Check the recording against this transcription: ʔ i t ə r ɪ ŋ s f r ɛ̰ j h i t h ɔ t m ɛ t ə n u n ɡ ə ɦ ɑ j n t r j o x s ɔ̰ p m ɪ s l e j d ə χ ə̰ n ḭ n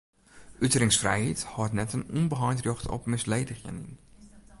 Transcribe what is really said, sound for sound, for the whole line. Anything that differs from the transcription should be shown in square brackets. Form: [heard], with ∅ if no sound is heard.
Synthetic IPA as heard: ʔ [y] t ə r ɪ ŋ s f r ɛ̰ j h i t h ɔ t [n] ɛ t ə n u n [b] ə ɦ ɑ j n t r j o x [t] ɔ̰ p m ɪ s l e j d ə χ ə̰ n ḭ n